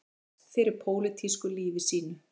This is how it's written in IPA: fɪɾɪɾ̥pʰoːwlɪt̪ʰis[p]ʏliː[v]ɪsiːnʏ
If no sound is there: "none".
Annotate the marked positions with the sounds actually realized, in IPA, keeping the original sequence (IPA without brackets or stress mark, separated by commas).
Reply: k, v